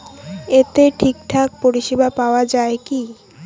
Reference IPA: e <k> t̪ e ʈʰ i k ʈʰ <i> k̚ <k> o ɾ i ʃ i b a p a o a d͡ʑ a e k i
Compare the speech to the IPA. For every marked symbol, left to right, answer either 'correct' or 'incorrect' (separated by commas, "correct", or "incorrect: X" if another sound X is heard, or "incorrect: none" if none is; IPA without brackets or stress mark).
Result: incorrect: none, incorrect: a, incorrect: p